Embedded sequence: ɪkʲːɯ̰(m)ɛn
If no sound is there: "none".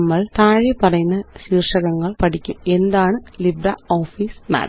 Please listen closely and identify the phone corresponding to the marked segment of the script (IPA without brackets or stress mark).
m